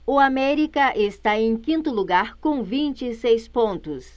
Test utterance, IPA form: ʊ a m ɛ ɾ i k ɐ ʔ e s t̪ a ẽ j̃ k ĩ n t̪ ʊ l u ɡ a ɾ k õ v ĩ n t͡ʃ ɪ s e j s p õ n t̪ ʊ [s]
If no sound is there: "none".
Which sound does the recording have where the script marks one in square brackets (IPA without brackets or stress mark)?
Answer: s